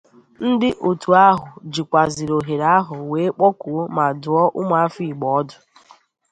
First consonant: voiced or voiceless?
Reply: voiced